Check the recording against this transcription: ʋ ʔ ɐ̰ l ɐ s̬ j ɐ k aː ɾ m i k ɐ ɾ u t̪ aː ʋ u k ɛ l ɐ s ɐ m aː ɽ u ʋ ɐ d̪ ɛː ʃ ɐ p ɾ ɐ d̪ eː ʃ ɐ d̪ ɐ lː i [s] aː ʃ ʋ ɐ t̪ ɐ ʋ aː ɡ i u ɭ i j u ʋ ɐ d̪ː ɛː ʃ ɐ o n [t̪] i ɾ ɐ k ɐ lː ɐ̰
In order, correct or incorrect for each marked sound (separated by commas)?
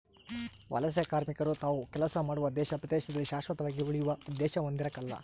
incorrect, incorrect